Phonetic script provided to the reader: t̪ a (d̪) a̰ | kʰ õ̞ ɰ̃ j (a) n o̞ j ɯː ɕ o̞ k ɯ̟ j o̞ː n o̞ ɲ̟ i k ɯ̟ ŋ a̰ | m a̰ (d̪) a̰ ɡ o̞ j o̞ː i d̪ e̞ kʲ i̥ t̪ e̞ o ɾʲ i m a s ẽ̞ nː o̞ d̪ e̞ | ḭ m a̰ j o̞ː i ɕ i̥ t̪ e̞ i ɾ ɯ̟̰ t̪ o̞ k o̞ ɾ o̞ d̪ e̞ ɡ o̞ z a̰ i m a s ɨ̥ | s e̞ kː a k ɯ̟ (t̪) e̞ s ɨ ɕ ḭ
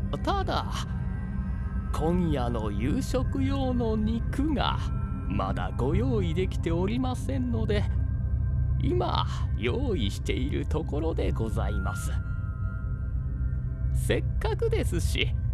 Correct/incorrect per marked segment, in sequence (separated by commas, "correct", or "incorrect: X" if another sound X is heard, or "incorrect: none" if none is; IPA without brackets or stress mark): correct, correct, correct, incorrect: d̪